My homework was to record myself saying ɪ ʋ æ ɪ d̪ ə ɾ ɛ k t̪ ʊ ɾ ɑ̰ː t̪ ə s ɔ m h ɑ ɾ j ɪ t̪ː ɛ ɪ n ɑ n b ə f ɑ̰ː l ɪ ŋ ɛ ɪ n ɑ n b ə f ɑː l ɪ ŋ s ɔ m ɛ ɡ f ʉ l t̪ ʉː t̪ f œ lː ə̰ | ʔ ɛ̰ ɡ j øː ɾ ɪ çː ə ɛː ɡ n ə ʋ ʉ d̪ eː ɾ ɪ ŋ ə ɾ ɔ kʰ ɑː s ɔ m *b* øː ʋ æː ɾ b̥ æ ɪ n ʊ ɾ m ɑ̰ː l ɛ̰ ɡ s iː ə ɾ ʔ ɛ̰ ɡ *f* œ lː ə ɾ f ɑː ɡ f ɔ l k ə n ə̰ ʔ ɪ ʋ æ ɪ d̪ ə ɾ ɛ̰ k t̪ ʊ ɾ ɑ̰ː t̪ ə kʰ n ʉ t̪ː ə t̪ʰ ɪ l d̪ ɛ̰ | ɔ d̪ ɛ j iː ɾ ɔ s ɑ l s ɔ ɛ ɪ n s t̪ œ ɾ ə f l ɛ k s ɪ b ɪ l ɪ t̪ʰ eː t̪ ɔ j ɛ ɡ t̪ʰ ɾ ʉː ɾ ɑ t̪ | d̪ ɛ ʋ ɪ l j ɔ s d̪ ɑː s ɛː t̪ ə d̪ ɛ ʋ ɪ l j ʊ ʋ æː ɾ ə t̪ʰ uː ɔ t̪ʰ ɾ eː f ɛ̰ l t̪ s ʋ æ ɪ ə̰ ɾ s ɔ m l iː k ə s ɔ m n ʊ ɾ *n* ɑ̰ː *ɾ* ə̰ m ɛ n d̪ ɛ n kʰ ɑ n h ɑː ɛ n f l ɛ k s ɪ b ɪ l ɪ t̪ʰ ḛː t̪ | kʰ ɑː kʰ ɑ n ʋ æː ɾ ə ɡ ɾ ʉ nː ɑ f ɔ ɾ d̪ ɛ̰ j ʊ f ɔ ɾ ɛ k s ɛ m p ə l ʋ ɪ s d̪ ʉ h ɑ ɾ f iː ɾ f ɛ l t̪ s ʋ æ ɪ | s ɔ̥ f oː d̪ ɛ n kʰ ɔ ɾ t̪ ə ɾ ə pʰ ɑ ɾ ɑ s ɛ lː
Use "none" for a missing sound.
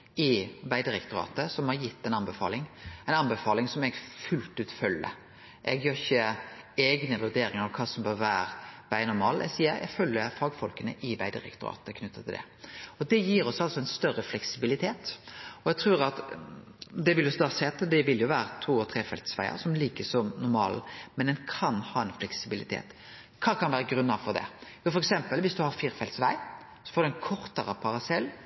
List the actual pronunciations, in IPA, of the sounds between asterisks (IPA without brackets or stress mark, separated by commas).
b, f, m, l